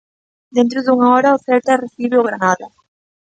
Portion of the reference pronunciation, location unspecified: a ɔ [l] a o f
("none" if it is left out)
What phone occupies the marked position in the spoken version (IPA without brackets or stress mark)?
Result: ɾ